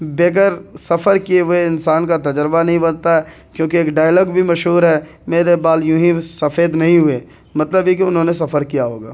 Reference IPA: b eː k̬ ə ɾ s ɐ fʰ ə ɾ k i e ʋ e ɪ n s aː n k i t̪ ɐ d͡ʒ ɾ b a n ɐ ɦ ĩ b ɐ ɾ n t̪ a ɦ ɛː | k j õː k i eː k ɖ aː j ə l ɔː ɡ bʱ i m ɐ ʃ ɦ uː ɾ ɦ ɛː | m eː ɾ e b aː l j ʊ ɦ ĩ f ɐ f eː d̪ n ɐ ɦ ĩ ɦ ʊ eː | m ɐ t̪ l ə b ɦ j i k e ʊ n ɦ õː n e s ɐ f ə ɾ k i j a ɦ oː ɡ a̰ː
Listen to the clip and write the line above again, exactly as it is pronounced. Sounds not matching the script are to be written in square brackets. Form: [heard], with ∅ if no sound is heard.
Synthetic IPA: b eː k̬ ə ɾ s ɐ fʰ ə ɾ k i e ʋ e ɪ n s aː n k [a] t̪ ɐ d͡ʒ ɾ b a n ɐ ɦ ĩ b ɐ [∅] n t̪ a ɦ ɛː | k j õː k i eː k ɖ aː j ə l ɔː ɡ bʱ i m ɐ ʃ ɦ uː ɾ ɦ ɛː | m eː ɾ e b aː l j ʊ ɦ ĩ [s] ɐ f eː d̪ n ɐ ɦ ĩ ɦ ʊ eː | m ɐ t̪ l ə b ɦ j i k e ʊ n ɦ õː n e s ɐ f ə ɾ k i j a ɦ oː ɡ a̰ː

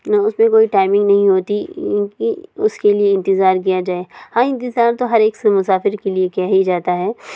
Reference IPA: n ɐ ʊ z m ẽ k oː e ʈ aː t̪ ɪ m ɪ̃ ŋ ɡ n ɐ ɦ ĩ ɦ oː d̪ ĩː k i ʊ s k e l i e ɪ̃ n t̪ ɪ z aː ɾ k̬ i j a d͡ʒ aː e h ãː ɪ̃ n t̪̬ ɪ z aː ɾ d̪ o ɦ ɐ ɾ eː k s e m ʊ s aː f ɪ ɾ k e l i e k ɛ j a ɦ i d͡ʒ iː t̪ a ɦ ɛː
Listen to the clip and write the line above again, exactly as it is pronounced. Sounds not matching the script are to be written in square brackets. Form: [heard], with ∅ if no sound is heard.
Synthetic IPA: n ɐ ʊ [s] m ẽ k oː [i] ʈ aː [∅] ɪ m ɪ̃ ŋ ɡ n ɐ ɦ ĩ ɦ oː [t̪] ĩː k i ʊ s k e l i e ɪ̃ n t̪ ɪ z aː ɾ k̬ i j a d͡ʒ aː e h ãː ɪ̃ n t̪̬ ɪ z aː ɾ [t̪] o ɦ ɐ ɾ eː k s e m ʊ s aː f ɪ ɾ k e l i e k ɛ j a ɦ i d͡ʒ [aː] t̪ a ɦ ɛː

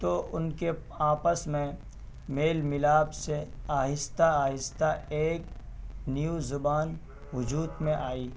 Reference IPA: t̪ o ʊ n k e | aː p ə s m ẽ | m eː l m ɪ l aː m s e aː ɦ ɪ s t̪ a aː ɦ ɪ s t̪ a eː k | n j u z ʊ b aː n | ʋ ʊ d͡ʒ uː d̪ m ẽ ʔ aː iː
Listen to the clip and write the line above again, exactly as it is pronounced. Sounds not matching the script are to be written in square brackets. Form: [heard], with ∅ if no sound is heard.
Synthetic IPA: t̪ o ʊ n k e | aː p ə s m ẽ | m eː l m ɪ l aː [b] s e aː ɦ ɪ s t̪ a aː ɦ ɪ s t̪ a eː k | n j u z ʊ b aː n | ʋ ʊ d͡ʒ uː d̪ m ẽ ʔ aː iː

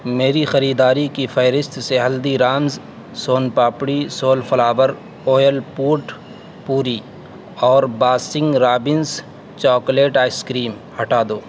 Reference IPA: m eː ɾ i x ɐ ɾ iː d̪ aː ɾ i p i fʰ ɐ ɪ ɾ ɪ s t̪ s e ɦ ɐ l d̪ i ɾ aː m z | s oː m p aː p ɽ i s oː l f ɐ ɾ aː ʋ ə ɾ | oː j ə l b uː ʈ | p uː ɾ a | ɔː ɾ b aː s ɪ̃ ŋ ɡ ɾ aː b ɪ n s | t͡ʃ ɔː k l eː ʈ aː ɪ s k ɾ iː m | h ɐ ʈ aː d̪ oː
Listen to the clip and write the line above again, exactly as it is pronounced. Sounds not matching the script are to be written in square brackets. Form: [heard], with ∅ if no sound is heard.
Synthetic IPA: m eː ɾ i x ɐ ɾ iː d̪ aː ɾ i [k] i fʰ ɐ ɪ ɾ ɪ s t̪ s e ɦ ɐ l d̪ i ɾ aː m z | s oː [n] p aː p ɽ i s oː l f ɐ [l] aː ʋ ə ɾ | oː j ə l [p] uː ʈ | p uː ɾ [i] | ɔː ɾ b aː s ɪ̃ ŋ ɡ ɾ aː b ɪ n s | t͡ʃ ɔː k l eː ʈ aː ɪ s k ɾ iː m | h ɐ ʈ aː d̪ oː

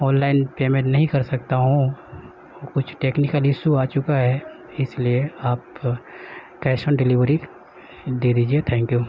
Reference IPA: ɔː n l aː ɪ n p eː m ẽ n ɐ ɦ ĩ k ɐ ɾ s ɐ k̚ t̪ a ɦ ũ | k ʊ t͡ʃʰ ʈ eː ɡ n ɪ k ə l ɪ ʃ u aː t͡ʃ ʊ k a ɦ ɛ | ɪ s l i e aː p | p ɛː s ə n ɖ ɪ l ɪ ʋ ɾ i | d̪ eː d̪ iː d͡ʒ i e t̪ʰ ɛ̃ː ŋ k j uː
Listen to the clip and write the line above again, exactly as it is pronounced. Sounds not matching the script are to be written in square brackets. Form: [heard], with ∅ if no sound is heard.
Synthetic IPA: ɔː n l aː ɪ n p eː m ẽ n ɐ ɦ ĩ k ɐ ɾ s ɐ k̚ t̪ a ɦ ũ | k ʊ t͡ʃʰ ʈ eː [k] n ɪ k ə l ɪ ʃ u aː t͡ʃ ʊ k a ɦ ɛ | ɪ s l i e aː p | [k] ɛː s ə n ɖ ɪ l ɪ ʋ ɾ i | d̪ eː d̪ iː d͡ʒ i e t̪ʰ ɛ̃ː ŋ k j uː

